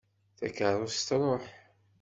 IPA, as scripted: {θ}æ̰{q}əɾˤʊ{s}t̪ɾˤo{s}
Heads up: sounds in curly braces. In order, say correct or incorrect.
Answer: correct, incorrect, correct, incorrect

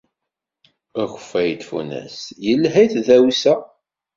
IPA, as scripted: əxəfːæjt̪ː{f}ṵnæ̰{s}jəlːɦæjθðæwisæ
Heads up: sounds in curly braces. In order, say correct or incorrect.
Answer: correct, correct

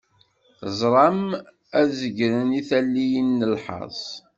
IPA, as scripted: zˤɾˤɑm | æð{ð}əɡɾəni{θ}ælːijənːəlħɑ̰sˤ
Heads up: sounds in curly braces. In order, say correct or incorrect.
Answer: incorrect, correct

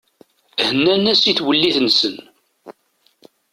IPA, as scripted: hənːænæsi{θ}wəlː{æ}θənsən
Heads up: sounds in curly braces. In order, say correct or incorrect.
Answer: correct, incorrect

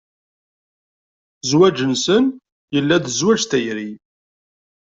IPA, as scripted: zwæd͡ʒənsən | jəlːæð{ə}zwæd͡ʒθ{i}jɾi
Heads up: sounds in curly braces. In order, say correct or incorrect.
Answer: correct, incorrect

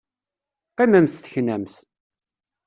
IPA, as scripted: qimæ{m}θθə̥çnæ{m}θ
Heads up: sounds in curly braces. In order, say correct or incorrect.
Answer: correct, correct

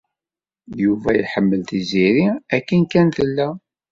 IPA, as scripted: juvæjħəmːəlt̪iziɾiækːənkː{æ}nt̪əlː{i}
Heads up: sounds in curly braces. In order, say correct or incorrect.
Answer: correct, incorrect

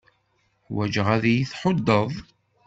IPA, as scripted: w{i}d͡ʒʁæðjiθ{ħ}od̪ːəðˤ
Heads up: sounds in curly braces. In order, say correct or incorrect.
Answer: incorrect, correct

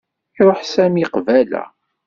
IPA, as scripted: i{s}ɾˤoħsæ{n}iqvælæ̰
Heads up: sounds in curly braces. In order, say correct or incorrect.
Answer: incorrect, incorrect

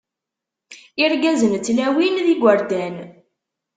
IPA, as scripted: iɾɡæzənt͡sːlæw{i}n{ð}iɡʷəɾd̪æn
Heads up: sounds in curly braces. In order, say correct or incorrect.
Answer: correct, correct

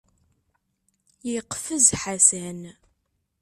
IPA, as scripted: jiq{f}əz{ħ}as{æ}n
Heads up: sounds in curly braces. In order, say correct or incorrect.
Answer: correct, correct, correct

